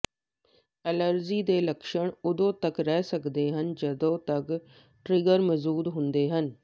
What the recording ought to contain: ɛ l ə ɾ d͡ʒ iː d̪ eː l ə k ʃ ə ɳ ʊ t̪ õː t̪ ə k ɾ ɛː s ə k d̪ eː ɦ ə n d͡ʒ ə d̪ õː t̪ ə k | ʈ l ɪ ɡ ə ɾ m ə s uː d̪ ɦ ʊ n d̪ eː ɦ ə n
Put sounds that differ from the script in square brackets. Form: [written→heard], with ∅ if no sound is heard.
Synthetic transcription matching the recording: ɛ l ə ɾ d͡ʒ iː d̪ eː l ə k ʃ ə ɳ ʊ [t̪→d̪] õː t̪ ə k ɾ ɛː s ə k d̪ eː ɦ ə n d͡ʒ ə d̪ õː t̪ ə k | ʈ [l→ɾ] ɪ ɡ ə ɾ m ə [s→z] uː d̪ ɦ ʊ n d̪ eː ɦ ə n